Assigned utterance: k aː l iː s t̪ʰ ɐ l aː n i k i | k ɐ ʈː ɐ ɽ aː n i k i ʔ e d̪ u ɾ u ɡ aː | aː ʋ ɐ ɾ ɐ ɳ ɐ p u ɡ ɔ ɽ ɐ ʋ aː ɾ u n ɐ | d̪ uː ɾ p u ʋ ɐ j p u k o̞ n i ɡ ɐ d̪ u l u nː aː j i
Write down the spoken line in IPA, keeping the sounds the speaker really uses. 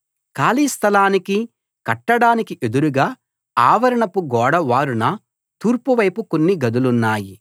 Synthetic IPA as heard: k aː l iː s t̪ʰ ɐ l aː n i k i | k ɐ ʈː ɐ ɽ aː n i k i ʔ e d̪ u ɾ u ɡ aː | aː ʋ ɐ ɾ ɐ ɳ ɐ p u ɡ ɔː ɽ ɐ ʋ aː ɾ u n ɐ | t̪ uː ɾ p u ʋ ɐ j p u k o̞ nː i ɡ ɐ d̪ u l u nː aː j i